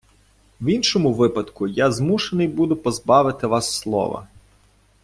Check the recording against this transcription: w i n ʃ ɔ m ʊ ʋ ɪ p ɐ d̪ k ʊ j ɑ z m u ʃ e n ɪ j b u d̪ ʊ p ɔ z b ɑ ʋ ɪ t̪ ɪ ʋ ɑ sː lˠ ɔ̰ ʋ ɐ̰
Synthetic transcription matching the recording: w i n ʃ ɔ m ʊ ʋ ɪ p ɐ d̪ k ʊ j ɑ z m u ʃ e n ɪ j b u d̪ ʊ p ɔ z b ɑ ʋ ɪ t̪ ɪ ʋ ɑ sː lˠ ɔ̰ ʋ ɐ̰